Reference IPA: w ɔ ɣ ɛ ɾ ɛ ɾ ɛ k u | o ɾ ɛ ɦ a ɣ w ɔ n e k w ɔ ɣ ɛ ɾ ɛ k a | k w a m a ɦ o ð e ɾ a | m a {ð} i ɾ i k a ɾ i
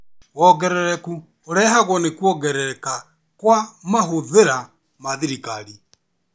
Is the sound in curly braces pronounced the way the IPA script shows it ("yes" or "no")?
yes